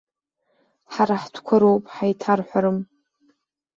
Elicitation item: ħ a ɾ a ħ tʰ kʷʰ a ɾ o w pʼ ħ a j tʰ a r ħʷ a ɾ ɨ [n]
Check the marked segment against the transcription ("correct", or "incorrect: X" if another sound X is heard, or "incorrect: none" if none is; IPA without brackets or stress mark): incorrect: m